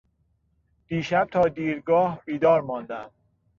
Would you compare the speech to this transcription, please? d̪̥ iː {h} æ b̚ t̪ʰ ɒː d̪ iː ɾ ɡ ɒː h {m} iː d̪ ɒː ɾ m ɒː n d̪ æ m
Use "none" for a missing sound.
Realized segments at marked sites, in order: ʃ, b

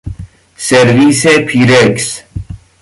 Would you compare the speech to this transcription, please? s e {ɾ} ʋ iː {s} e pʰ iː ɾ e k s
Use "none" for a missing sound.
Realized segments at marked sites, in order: ɾ, s

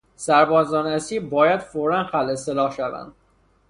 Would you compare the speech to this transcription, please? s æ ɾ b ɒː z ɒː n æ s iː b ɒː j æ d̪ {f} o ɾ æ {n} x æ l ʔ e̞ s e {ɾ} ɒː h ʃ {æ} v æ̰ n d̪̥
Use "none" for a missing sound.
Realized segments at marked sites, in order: f, n, l, æ

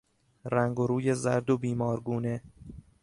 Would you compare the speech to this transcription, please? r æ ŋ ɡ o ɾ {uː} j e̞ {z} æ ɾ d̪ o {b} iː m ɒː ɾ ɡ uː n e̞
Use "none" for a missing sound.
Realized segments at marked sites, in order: uː, z, b

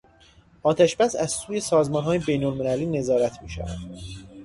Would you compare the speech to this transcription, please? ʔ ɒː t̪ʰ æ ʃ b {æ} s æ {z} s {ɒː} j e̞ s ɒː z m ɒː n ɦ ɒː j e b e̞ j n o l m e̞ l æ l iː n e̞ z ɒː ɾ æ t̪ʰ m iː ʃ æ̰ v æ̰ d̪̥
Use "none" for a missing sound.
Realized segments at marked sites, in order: æ, z, uː

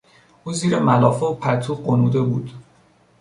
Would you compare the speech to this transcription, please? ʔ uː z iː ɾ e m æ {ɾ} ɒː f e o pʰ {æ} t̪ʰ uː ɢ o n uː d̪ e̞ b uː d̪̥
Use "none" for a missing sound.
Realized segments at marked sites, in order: l, æ

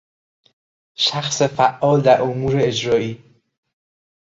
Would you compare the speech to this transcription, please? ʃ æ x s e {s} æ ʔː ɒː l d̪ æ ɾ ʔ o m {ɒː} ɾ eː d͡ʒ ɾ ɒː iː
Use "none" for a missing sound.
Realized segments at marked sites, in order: f, uː

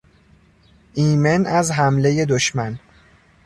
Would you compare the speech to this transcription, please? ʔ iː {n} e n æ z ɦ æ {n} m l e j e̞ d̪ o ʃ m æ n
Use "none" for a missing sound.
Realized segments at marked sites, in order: m, none

